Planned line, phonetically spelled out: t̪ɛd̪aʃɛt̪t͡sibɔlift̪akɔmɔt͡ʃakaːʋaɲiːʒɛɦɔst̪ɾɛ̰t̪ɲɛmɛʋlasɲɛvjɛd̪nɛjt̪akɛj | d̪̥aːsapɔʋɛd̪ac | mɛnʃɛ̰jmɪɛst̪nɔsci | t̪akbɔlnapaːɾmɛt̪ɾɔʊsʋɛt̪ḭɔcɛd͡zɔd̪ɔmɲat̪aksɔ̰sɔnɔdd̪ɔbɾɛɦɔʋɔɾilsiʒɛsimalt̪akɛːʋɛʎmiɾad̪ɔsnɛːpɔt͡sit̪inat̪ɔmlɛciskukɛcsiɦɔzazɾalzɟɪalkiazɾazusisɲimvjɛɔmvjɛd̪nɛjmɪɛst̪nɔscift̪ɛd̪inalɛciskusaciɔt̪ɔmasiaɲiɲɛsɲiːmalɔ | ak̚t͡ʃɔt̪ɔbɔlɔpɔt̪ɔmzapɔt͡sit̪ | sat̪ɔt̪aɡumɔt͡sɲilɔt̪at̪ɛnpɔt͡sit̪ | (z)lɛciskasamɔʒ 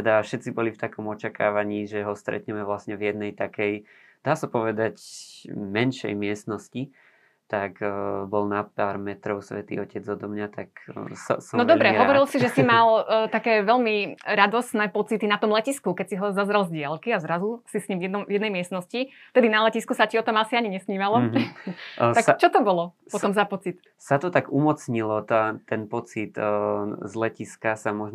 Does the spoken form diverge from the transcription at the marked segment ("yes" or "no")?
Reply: no